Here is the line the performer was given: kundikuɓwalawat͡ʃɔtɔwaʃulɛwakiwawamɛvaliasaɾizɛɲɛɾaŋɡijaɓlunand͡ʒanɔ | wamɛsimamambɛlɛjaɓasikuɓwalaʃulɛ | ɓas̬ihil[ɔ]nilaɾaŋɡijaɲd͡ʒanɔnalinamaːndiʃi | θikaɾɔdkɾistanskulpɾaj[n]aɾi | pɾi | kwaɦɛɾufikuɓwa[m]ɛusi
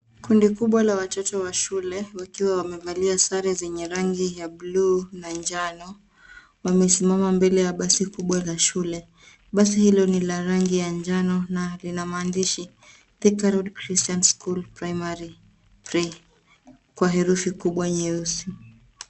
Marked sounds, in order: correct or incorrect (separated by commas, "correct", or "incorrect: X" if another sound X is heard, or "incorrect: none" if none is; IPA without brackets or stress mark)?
correct, incorrect: m, incorrect: ɲ